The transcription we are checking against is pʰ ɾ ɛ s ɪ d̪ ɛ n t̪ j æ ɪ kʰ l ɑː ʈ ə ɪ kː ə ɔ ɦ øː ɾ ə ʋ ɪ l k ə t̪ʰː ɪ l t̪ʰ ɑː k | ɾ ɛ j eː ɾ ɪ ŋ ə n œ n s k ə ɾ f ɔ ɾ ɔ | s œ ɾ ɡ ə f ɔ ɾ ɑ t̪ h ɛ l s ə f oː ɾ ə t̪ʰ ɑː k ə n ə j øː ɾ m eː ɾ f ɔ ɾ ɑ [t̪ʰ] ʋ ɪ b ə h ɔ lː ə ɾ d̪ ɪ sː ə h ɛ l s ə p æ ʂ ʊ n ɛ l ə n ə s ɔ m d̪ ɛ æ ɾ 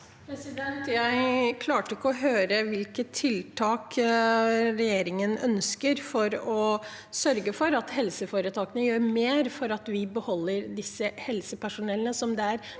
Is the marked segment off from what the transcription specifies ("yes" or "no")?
yes